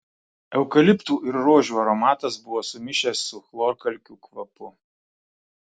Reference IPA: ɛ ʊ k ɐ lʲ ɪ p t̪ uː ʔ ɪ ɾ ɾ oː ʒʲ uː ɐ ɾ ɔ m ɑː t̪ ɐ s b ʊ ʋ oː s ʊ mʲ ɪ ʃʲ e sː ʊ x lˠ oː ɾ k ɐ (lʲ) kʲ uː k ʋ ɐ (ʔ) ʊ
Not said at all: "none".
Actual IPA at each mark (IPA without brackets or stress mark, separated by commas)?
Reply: lʲ, p